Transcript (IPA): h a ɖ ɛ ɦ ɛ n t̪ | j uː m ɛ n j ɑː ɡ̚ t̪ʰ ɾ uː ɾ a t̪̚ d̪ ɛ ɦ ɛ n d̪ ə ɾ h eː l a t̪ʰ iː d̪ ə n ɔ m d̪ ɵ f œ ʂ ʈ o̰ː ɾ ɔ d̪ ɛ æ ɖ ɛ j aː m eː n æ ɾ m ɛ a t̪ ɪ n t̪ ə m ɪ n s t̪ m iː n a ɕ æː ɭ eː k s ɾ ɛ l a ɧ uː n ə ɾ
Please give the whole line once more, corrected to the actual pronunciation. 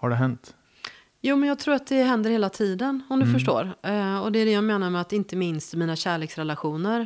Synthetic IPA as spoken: h a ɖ ɛ ɦ ɛ n t̪ | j uː m ɛ n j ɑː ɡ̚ t̪ʰ ɾ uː ɾ a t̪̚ d̪ ɛ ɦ ɛ n d̪ ə ɾ h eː l a t̪ʰ iː d̪ ə n ɔ m d̪ ɵ f œ ʂ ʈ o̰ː ɾ ɔ d̪ ɛ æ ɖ ɛ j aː m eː n a ɾ m ɛ a t̪ ɪ n t̪ ə m ɪ n s t̪ m iː n a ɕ æː ɭ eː k s ɾ ɛ l a ɧ uː n ə ɾ